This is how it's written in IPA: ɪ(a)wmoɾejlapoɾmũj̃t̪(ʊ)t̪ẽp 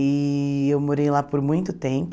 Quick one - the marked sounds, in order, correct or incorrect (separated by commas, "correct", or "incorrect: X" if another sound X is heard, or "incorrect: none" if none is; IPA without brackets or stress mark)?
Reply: incorrect: e, correct